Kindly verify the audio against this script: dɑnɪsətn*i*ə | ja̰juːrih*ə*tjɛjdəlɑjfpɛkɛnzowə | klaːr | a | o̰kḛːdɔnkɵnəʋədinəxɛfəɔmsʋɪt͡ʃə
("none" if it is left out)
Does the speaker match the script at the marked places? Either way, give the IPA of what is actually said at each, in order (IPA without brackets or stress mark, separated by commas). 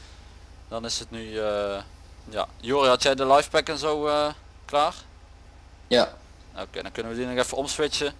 y, ɑ